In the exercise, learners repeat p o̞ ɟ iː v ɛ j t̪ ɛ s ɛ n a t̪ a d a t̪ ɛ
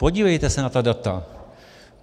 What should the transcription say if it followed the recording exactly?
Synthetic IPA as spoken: p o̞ ɟ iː v ɛ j t̪ ɛ s ɛ n a t̪ a d a t̪ a